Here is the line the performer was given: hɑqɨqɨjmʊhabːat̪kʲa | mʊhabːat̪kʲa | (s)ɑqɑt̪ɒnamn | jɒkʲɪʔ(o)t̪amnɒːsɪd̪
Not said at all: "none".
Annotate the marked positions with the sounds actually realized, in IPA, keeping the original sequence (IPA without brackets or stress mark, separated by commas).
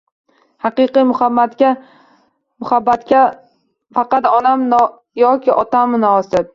f, ɒ